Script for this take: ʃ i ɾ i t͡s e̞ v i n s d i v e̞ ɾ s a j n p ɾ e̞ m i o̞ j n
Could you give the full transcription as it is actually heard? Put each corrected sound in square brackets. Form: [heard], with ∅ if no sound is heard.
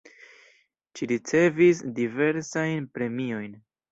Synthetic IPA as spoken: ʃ i ɾ i t͡s e̞ v i [∅] s d i v e̞ ɾ s a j n p ɾ e̞ m i o̞ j n